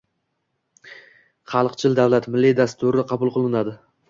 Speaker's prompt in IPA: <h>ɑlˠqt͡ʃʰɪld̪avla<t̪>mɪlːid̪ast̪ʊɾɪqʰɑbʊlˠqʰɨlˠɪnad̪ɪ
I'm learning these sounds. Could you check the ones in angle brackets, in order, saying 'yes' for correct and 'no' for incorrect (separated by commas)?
no, yes